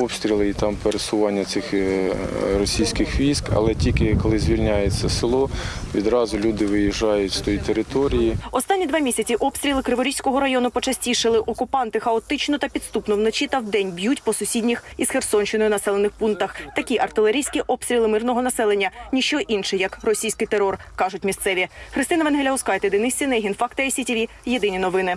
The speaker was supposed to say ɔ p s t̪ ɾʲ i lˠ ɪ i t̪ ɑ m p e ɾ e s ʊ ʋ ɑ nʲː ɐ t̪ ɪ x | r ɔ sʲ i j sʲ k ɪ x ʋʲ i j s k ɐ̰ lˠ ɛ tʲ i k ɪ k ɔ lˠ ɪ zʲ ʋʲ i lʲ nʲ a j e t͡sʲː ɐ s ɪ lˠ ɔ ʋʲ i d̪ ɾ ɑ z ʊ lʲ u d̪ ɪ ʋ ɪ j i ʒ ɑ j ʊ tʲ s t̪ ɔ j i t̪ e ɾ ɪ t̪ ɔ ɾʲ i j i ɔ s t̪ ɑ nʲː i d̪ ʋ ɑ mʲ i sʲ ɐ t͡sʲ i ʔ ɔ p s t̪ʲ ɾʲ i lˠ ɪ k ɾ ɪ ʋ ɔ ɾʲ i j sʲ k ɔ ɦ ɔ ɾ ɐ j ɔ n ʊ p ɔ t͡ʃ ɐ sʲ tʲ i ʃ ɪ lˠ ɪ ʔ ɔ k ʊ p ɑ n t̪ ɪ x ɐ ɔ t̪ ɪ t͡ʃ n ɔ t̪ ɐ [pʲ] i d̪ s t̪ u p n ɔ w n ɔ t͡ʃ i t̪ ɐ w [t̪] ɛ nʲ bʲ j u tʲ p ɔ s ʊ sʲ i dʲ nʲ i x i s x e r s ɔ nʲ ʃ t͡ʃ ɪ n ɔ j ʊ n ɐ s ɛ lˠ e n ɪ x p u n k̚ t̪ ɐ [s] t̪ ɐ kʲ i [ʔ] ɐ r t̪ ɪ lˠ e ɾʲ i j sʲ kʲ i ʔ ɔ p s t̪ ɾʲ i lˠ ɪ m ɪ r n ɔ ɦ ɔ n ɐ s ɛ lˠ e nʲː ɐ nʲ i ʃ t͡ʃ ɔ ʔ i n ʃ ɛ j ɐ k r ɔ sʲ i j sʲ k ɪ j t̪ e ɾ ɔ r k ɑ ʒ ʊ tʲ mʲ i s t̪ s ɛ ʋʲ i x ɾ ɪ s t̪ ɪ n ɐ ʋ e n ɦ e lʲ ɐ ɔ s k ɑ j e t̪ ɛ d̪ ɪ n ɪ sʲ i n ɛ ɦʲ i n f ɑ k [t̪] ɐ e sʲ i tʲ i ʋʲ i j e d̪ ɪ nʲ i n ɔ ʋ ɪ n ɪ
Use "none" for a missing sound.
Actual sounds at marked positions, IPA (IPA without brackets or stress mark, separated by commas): pʲ, d̪, x, ʔ, t̪